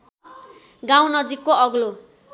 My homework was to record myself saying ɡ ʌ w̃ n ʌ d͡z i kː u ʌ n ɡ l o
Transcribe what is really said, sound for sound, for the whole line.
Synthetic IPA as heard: ɡ a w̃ n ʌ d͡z i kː o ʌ ɡ l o

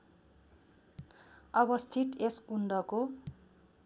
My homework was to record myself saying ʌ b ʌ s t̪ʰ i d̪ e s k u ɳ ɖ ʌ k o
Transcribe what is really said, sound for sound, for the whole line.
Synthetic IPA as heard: ʌ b ʌ s t̪ʰ i t̪ e s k u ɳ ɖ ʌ k o

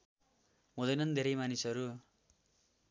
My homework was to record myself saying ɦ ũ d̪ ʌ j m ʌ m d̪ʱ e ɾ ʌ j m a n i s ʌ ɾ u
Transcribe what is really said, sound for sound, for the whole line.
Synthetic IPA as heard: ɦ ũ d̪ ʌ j n ʌ n d̪ʱ e ɾ ʌ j m a n i s ʌ ɾ u

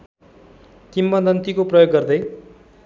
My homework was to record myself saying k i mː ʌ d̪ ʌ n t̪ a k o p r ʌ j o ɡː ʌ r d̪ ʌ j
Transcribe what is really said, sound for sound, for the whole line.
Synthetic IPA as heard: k i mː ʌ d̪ ʌ n t̪ i k o p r ʌ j o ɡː ʌ r d̪ ʌ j

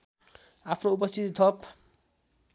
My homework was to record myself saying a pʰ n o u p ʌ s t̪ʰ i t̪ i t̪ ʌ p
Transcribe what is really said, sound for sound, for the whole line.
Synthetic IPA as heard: a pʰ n o u p ʌ s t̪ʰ i t̪ i t̪ʰ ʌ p

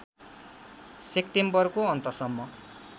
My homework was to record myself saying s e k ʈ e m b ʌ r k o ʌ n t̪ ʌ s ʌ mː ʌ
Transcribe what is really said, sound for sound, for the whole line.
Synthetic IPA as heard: s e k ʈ e m b ʌ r k o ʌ n t̪ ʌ s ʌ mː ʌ

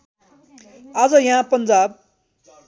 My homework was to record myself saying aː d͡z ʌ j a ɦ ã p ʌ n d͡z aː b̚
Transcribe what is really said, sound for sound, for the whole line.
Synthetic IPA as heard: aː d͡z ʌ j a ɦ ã p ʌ n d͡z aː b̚

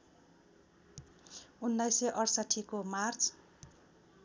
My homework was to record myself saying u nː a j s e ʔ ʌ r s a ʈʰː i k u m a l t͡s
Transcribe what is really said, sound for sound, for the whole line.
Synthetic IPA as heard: u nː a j s e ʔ ʌ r s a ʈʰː i k o m a r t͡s

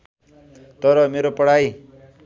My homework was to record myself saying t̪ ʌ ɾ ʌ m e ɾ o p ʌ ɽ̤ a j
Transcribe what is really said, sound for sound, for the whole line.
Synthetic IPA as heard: t̪ ʌ ɾ ʌ m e ɾ o p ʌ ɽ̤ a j

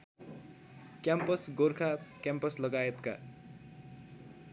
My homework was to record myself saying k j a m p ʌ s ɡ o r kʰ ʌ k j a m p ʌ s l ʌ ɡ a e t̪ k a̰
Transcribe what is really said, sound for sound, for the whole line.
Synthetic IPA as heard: k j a m p ʌ s ɡ o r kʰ a k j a m p ʌ s l ʌ ɡ a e t̪ k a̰

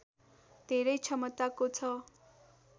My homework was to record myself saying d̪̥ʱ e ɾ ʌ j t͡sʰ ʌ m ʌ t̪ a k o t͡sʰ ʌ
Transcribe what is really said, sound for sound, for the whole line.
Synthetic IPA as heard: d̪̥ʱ e ɾ ʌ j t͡sʰ ʌ m ʌ t̪ a k o t͡sʰ ʌ

